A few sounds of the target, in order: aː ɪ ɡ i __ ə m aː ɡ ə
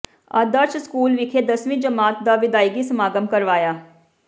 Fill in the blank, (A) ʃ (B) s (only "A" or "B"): B